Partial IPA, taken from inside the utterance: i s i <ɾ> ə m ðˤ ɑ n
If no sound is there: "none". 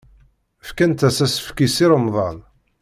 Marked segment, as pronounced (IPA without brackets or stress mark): ɾ